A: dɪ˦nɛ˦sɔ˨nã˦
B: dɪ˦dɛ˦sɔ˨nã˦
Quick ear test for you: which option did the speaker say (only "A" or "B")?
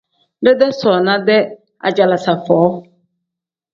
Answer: B